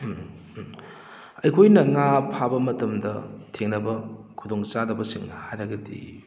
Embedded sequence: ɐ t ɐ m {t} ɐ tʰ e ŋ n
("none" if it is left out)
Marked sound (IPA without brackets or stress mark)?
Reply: d